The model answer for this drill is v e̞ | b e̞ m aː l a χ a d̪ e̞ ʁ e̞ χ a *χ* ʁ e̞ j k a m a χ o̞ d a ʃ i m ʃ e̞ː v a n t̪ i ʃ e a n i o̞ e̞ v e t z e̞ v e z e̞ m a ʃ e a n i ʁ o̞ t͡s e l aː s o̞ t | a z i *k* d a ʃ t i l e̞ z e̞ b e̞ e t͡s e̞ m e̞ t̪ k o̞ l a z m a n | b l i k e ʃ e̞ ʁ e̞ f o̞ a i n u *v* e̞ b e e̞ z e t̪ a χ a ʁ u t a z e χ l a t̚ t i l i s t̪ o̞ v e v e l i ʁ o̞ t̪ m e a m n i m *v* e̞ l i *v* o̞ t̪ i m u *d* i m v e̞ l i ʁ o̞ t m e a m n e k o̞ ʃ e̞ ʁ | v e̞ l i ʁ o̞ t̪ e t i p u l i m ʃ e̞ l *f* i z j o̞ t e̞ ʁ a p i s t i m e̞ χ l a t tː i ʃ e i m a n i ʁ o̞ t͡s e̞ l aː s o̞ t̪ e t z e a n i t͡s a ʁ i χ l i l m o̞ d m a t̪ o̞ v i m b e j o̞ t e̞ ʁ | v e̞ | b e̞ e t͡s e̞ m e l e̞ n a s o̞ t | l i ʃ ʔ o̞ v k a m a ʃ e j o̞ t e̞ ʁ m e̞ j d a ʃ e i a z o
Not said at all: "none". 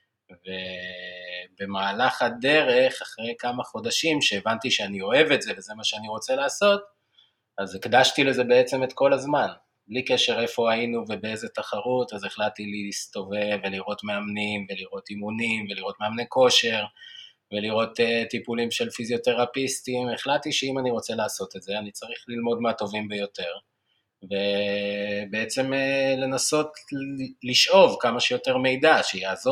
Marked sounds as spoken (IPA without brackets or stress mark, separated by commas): χ, k, v, v, ʁ, n, f